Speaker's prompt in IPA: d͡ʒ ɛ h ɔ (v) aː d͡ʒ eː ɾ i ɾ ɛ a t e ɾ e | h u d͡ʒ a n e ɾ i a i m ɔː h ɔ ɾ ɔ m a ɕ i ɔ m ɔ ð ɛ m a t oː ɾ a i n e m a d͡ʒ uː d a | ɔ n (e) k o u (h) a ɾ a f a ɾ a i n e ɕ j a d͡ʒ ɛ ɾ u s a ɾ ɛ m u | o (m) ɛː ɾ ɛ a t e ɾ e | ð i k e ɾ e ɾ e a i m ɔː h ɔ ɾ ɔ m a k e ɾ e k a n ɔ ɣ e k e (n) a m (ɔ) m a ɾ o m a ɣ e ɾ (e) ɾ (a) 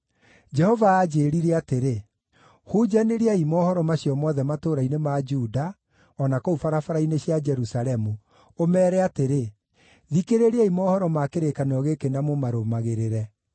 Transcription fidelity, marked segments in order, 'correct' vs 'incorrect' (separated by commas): correct, incorrect, incorrect, correct, correct, incorrect, correct, incorrect